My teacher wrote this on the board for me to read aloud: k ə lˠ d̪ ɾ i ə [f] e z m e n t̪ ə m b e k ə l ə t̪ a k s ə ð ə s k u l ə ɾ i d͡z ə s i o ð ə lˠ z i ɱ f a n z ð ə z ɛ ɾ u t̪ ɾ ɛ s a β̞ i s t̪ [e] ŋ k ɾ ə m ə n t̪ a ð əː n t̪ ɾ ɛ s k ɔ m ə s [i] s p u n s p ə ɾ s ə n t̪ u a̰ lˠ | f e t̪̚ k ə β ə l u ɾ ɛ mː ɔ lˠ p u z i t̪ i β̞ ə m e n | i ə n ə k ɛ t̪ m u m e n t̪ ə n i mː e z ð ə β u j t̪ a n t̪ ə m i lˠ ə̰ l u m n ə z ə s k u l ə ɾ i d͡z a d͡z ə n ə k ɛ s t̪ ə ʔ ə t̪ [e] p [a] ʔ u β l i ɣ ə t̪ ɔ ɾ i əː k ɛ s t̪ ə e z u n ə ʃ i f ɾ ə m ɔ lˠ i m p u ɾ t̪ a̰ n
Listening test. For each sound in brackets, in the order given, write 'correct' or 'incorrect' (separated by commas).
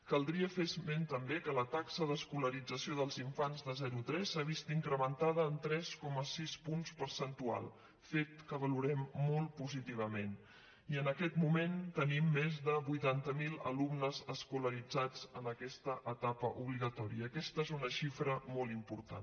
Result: correct, incorrect, correct, incorrect, incorrect